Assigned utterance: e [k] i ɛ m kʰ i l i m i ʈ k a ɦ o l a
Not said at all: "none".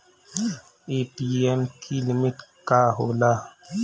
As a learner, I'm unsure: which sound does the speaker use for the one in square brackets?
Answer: p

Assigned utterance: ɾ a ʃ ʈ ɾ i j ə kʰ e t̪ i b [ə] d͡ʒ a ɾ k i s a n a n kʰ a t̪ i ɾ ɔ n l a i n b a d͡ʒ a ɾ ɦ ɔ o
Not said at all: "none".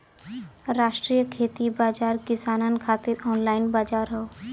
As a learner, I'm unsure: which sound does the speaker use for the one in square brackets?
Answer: a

